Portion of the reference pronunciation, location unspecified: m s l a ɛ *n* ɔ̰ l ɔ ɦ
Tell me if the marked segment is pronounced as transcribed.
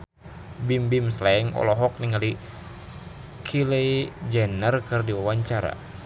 no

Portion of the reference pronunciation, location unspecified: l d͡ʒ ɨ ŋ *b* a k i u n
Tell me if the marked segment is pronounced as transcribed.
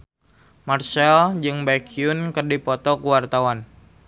yes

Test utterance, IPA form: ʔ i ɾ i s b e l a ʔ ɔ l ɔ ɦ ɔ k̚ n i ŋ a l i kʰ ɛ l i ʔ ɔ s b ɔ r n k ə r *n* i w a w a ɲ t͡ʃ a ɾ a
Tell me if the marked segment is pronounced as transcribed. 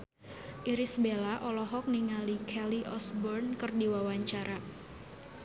no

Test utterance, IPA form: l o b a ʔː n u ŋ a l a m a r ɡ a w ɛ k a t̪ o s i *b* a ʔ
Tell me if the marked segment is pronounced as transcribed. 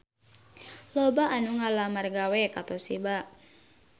yes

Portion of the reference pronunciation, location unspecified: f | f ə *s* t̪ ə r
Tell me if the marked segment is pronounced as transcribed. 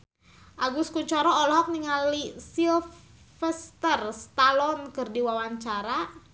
yes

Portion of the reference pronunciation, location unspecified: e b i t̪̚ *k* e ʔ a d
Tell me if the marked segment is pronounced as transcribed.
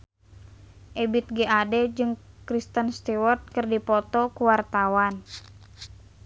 no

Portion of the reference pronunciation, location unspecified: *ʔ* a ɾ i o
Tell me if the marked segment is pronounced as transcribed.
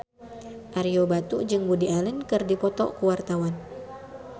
yes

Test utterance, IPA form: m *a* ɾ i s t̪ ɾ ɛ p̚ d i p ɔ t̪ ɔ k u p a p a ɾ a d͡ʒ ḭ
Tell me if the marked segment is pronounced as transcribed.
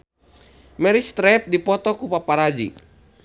no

